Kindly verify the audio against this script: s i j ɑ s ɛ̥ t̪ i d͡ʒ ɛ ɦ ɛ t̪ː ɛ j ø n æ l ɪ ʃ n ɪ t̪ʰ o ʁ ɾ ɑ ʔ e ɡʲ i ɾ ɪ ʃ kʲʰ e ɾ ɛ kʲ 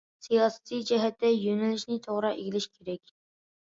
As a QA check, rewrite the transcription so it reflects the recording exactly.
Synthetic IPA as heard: s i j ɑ s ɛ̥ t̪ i d͡ʒ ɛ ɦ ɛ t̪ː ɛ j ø n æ l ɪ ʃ n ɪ t̪ʰ o ʁ ɾ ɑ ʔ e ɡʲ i l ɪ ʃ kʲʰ e ɾ ɛ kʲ